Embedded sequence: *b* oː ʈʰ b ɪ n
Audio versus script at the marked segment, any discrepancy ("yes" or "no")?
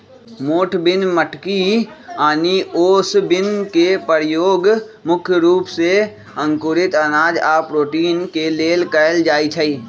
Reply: yes